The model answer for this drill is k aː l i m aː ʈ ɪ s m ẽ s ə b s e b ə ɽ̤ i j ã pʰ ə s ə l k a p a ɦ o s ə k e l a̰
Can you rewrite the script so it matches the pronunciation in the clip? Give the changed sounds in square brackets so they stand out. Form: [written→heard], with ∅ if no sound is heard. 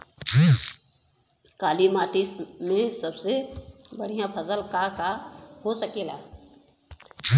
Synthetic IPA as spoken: k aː l i m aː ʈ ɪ s m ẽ s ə b s e b ə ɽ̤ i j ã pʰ ə s ə l k a [p→k] a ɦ o s ə k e l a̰